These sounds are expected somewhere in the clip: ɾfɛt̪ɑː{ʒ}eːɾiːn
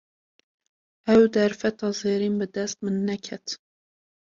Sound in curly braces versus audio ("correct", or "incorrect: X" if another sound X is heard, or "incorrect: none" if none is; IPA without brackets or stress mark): incorrect: z